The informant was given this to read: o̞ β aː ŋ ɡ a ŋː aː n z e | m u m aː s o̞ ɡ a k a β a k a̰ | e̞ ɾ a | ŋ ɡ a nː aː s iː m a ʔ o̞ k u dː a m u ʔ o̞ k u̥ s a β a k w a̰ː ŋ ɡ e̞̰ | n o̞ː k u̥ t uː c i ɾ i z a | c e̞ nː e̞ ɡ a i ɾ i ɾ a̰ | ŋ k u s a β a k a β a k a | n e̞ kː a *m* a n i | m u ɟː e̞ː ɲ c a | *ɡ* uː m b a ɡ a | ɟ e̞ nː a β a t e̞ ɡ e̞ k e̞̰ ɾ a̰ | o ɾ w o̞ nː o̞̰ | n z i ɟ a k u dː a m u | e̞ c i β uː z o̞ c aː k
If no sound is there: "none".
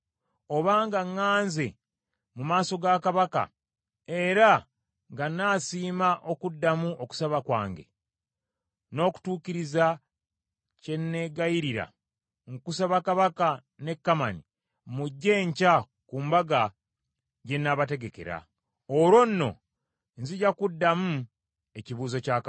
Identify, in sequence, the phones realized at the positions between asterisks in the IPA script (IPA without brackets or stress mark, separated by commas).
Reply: m, k